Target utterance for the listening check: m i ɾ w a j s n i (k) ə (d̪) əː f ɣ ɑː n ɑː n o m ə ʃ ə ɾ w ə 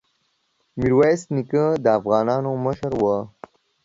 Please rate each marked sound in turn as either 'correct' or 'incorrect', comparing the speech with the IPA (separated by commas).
correct, correct